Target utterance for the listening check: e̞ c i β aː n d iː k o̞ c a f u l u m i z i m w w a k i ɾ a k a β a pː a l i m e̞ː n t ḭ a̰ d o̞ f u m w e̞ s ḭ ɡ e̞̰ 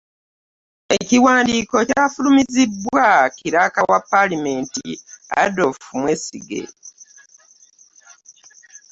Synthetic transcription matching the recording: e̞ c i w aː n d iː k o̞ c a f u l u m i z i b w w a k i ɾ a k a w a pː a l i m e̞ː n t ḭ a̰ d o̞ f u m w e̞ s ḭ ɡ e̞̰